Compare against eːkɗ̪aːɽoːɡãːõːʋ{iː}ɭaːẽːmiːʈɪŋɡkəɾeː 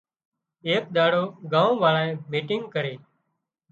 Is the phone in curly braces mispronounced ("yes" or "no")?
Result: yes